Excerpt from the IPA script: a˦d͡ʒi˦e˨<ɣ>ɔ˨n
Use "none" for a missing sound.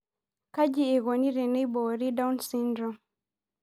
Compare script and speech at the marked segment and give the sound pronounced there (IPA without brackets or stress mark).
ɣ